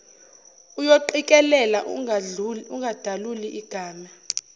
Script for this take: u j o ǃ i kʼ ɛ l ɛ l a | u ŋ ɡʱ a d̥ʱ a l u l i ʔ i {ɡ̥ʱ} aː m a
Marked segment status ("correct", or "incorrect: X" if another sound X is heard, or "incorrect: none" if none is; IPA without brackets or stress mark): correct